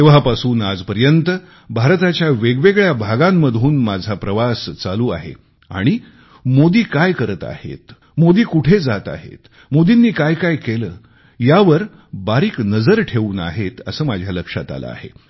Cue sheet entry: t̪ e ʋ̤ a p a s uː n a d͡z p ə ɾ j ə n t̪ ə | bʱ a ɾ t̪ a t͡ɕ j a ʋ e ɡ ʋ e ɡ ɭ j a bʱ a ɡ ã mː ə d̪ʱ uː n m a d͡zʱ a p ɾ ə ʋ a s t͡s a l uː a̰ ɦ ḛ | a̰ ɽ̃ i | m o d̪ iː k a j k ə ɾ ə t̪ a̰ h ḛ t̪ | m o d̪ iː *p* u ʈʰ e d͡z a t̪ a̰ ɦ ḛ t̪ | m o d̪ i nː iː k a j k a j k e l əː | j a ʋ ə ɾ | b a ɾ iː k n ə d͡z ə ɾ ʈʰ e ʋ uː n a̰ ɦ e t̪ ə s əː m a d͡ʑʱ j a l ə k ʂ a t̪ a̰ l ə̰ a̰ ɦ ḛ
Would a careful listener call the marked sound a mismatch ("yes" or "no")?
yes